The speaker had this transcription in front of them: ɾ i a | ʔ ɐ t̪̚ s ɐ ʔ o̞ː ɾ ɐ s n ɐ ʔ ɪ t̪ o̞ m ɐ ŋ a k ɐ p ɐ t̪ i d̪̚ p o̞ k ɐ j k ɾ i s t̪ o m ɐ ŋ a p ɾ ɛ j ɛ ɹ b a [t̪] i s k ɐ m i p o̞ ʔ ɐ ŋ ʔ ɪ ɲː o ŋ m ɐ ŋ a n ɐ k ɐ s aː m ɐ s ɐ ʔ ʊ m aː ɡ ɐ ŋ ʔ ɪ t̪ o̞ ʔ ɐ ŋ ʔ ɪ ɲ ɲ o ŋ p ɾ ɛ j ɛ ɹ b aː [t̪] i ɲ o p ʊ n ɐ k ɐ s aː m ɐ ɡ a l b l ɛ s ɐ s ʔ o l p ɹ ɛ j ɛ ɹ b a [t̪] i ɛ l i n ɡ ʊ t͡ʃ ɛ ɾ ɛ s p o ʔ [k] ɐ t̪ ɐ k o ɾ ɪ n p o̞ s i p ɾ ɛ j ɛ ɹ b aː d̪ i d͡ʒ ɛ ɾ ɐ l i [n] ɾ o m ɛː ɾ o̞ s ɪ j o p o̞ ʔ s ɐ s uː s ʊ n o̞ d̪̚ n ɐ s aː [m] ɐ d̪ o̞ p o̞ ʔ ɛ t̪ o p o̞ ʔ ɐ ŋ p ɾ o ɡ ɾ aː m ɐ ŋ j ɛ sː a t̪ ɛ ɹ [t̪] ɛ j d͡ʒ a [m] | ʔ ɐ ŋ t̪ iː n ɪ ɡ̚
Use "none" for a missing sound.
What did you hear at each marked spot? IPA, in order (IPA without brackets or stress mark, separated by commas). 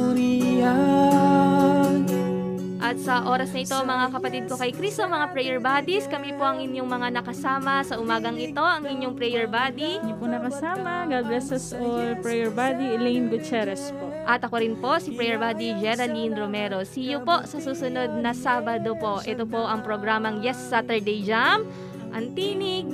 d̪, d̪, d̪, ʔ, n, b, d̪, m